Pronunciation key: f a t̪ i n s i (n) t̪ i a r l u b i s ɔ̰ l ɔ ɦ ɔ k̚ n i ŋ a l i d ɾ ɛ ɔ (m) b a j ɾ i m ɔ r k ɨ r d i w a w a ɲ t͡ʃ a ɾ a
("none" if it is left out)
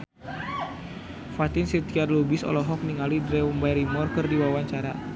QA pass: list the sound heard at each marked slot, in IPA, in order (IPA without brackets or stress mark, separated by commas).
none, m